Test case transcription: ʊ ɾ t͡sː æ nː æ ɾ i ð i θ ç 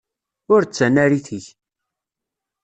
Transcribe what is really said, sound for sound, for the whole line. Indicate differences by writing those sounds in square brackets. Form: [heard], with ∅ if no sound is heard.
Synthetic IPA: ʊ ɾ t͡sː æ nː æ ɾ i [θ] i [∅] ç